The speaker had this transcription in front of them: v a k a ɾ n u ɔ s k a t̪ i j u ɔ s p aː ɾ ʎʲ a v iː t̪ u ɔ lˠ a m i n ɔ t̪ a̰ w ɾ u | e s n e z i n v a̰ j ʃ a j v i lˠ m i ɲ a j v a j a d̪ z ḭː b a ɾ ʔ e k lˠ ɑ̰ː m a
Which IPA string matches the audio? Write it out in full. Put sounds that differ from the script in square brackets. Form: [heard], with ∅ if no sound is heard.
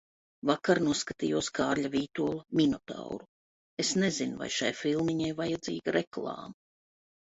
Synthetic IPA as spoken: v a k a ɾ n u ɔ s k a t̪ i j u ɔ s [k] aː ɾ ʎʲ a v iː t̪ u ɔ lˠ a m i n ɔ t̪ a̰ w ɾ u | e s n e z i n v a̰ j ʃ a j [f] i lˠ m i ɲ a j v a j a d̪ z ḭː [ɡ] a ɾ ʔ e k lˠ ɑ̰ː m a

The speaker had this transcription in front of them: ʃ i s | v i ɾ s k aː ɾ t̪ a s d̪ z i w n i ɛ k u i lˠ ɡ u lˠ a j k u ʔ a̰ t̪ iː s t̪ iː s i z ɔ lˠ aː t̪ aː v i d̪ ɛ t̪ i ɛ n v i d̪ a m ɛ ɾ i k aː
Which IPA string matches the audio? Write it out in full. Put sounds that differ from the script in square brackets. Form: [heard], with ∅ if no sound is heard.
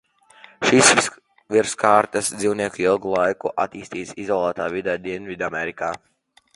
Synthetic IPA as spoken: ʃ i s | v i ɾ s k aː ɾ t̪ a s d̪ z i w n i ɛ k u i lˠ ɡ u lˠ a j k u ʔ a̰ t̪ iː s t̪ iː s i z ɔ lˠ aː t̪ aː v i d̪ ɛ [d̪] i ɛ n v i d̪ a m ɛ ɾ i k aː

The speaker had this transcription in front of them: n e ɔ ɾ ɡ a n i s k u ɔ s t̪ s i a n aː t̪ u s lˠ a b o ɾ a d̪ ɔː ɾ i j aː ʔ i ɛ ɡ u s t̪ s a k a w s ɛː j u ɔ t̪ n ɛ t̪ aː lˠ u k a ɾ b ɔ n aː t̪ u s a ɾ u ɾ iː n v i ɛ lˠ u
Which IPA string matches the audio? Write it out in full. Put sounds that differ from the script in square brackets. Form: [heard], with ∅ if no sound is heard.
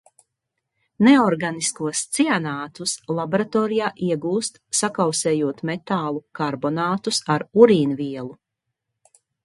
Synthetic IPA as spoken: n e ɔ ɾ ɡ a n i s k u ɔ s t̪ s i a n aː t̪ u s lˠ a b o ɾ a [t̪] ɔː ɾ i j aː ʔ i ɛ ɡ [uː] s t̪ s a k a w s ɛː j u ɔ t̪ [m] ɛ t̪ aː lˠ u k a ɾ b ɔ n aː t̪ u s a ɾ u ɾ iː n v i ɛ lˠ u

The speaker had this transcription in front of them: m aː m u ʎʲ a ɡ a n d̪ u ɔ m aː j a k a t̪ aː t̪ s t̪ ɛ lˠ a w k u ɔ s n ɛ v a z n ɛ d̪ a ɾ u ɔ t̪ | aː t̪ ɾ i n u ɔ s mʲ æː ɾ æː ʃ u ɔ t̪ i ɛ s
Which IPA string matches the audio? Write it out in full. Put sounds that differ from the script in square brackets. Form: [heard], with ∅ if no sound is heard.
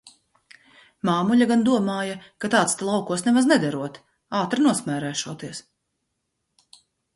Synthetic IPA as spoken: m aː m u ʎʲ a ɡ a n d̪ u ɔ m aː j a k a t̪ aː t̪ s t̪ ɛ lˠ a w k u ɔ s n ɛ v a z n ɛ d̪ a ɾ u ɔ t̪ | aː t̪ ɾ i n u ɔ s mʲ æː ɾ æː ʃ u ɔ t̪ i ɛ s

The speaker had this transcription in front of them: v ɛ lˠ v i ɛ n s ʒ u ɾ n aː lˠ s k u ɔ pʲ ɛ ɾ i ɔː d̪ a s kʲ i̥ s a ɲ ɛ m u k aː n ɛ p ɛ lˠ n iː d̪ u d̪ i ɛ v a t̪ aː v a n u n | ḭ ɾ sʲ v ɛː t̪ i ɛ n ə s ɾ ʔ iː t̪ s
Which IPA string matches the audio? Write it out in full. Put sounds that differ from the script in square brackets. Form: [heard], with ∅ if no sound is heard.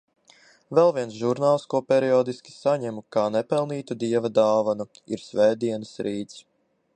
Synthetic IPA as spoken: v ɛ lˠ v i ɛ n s ʒ u ɾ n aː lˠ s k u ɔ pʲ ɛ ɾ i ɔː d̪ [i] s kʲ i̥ s a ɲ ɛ m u k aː n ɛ p ɛ lˠ n iː [t̪] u d̪ i ɛ v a [d̪] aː v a n u [∅] | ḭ ɾ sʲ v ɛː [d̪] i ɛ n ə s ɾ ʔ iː t̪ s

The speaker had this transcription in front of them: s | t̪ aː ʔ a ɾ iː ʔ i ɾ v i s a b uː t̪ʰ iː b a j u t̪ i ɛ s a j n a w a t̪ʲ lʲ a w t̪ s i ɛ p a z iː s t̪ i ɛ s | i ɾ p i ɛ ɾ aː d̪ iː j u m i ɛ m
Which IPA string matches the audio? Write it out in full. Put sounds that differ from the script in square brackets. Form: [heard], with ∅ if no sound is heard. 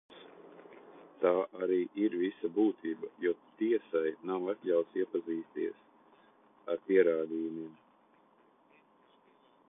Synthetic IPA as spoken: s | t̪ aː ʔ a ɾ iː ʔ i ɾ v i s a b uː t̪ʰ iː b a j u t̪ i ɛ s a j n a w a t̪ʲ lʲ a w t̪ s i ɛ p a z iː s t̪ i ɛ s | [a] ɾ p i ɛ ɾ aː d̪ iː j u m i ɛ m

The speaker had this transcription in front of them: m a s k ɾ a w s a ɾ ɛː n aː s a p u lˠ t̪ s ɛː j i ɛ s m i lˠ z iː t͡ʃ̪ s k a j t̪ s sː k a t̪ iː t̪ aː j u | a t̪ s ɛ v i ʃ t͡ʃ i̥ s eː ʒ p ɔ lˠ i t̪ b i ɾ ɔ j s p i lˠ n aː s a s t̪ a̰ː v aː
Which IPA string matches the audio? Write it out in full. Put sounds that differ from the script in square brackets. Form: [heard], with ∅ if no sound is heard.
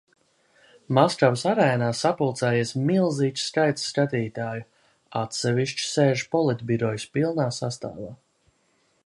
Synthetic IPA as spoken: m a s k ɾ a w s a ɾ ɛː n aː s a p u lˠ t̪ s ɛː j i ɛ s m i lˠ z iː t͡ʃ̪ s k a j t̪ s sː k a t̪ iː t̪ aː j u | a t̪ s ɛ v i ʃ t͡ʃ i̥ s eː ʒ p ɔ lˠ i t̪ b i ɾ ɔ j s p i lˠ n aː s a s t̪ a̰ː v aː

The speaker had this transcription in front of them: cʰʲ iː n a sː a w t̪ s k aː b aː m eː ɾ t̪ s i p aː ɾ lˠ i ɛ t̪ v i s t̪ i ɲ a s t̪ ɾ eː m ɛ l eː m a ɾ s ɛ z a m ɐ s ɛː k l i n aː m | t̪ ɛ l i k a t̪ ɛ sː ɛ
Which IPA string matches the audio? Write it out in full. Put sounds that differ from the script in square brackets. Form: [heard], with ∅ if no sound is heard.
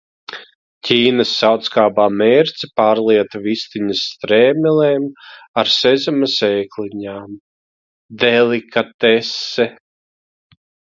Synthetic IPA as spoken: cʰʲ iː n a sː a w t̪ s k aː b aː m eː ɾ t̪ s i p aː ɾ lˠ i ɛ t̪ v i s t̪ i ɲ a s t̪ ɾ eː m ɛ l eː m a ɾ s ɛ z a m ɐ s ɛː k l i [ɲ] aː m | [d̪] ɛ l i k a t̪ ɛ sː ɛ

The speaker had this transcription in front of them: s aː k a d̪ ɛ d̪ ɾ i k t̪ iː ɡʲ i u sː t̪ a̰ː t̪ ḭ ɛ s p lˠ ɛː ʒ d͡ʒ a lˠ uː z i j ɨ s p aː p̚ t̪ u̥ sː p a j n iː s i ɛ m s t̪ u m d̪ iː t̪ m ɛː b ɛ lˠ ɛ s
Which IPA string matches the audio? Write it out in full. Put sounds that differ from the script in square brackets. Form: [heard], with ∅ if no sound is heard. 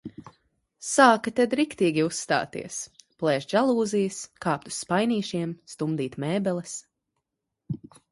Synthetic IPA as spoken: s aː k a [t̪] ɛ d̪ ɾ i k t̪ iː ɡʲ i u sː t̪ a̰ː t̪ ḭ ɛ s p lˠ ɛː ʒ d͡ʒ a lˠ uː z i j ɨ s [k] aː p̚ t̪ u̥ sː p a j n iː [ʃ] i ɛ m s t̪ u m d̪ iː t̪ m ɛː b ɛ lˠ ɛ s

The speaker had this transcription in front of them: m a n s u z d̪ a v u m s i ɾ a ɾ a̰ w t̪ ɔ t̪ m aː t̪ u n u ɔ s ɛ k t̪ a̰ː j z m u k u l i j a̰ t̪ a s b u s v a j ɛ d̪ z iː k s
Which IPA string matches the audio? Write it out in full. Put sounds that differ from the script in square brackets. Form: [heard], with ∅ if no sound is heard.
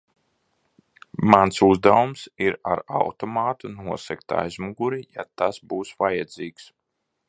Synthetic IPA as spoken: m a n s u z d̪ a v u m s i ɾ a ɾ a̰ w t̪ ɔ [∅] m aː t̪ u n u ɔ s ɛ k t̪ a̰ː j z m u [ɡ] u [ɾ] i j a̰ t̪ a s b [uː] s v a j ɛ d̪ z iː k s

